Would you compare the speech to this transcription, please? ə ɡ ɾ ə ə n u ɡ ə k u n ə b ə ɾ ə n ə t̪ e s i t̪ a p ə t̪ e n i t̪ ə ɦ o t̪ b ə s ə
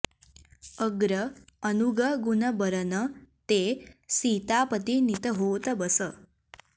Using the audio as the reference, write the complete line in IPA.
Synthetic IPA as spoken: ə ɡ ɾ ə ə n u ɡ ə ɡ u n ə b ə ɾ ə n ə t̪ e s i t̪ a p ə t̪ i n i t̪ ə ɦ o t̪ b ə s ə